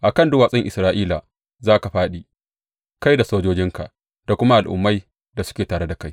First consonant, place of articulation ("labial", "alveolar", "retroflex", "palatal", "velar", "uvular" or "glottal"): glottal